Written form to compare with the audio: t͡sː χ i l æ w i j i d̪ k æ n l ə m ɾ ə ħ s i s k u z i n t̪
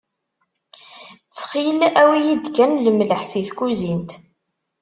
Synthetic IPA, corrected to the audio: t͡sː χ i l æ w i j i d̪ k æ n l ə m l ə ħ s i θ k u z i n t̪